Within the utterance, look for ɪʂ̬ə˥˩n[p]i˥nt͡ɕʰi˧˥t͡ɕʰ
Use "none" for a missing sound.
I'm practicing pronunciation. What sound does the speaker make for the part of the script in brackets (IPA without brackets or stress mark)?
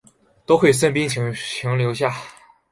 p